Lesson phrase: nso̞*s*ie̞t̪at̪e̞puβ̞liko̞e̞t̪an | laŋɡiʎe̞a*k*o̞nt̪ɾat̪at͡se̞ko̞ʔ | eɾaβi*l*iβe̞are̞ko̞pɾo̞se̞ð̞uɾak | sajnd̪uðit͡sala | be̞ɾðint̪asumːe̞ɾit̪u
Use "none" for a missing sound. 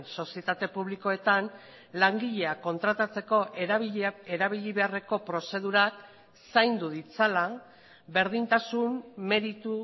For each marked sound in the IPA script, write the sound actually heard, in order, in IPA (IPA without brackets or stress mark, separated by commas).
s, k, ʎ